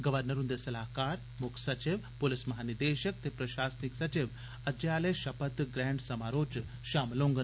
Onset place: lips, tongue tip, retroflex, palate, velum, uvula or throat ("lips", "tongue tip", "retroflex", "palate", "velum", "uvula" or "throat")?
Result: velum